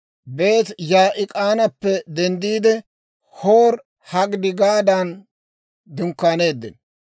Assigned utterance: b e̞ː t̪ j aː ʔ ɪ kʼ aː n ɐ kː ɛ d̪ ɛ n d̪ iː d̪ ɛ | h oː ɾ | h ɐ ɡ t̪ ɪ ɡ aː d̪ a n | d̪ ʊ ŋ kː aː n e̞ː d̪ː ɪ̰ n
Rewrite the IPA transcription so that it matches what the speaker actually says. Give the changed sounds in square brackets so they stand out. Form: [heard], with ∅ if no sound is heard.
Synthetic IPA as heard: b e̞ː t̪ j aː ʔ ɪ kʼ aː n ɐ [pː] ɛ d̪ ɛ n d̪ iː d̪ ɛ | h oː ɾ | h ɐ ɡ [d̪] ɪ ɡ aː d̪ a n | d̪ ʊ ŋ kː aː n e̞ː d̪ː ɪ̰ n